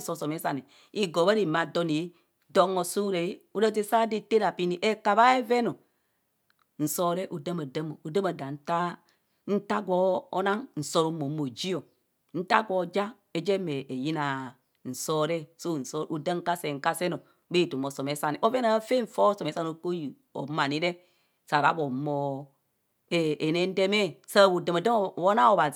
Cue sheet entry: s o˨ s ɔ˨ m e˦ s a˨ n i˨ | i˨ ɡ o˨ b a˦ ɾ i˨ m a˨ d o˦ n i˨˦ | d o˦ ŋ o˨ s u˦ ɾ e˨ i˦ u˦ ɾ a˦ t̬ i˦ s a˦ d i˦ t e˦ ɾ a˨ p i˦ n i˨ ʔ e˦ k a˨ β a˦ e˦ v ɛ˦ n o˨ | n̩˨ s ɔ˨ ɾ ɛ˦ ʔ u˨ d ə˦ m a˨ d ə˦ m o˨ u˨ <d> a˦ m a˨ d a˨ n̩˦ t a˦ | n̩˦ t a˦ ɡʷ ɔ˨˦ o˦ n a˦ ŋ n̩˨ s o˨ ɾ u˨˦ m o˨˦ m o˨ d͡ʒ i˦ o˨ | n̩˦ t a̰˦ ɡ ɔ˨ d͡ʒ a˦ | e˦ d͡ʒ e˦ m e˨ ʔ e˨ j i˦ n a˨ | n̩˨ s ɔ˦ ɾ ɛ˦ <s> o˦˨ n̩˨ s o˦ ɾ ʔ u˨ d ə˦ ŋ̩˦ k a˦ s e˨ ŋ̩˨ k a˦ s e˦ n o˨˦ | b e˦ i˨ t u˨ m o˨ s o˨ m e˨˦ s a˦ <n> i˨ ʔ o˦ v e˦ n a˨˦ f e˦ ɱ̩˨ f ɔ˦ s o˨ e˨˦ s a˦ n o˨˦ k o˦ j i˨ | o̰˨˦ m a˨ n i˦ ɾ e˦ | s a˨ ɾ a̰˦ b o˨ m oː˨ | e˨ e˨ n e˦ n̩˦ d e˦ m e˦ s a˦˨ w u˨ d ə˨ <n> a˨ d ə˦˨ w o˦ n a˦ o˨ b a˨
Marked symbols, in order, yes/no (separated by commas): yes, yes, yes, no